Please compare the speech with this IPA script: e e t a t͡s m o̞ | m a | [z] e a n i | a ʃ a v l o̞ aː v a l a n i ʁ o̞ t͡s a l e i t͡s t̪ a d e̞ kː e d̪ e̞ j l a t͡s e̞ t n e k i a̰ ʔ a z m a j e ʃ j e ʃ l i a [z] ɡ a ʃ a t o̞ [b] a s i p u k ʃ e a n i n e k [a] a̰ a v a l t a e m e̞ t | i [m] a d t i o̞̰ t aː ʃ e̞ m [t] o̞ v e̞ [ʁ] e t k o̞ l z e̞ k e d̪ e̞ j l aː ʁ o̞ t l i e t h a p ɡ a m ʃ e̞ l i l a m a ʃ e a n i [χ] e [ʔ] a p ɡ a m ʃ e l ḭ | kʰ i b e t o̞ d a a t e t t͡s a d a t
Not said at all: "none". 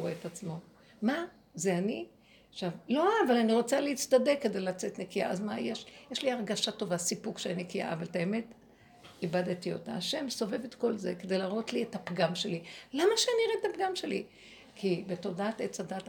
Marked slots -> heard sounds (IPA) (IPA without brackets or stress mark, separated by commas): z, ʁ, v, i, b, s, v, ʁ, t